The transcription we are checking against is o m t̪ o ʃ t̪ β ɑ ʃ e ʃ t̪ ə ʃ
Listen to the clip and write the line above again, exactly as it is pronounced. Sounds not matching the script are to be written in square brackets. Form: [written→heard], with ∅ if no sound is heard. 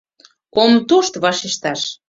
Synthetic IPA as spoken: o m t̪ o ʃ t̪ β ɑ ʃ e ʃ t̪ [ə→ɑ] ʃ